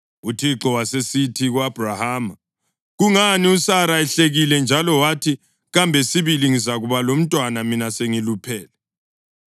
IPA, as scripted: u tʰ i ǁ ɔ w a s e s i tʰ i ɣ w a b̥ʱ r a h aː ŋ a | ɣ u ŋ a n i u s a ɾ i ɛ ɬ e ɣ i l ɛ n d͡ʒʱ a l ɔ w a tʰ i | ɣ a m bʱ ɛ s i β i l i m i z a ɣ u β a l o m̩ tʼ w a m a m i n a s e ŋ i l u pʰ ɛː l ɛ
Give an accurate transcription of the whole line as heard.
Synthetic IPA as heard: u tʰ i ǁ ɔ w a s e s i tʰ i ɣ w a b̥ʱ r a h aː m a | ɣ u ŋ a n i u s a ɾ a ɛ ɬ e ɣ i l ɛ n d͡ʒʱ a l ɔ w a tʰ i | ɣ a m bʱ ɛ s i β i l i ŋ i z a ɣ u β a l o m̩ tʼ w a n a m i n a s e ŋ i l u pʰ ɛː l ɛ